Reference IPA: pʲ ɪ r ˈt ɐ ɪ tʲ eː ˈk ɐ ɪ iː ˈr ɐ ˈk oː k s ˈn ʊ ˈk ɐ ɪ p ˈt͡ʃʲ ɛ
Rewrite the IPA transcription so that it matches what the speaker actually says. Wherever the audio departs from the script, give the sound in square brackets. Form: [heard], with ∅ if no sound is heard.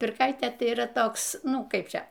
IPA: pʲ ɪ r [ˈk] ɐ ɪ tʲ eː [ˈt] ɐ ɪ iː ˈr ɐ [ˈt] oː k s ˈn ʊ ˈk ɐ ɪ p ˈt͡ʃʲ ɛ